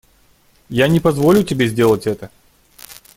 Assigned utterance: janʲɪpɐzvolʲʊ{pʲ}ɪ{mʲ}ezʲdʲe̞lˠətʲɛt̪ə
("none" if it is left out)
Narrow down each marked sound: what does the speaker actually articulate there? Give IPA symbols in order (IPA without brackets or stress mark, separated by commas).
tʲ, bʲ